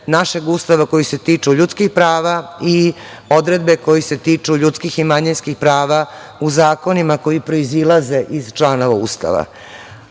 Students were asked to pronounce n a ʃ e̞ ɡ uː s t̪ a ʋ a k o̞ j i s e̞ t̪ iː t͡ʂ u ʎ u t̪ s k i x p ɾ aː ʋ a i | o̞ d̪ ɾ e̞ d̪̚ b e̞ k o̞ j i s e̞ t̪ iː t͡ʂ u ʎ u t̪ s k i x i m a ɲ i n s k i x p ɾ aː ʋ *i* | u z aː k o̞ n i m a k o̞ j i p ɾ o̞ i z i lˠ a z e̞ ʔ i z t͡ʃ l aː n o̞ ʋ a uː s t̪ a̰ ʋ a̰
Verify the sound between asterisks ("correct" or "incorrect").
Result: incorrect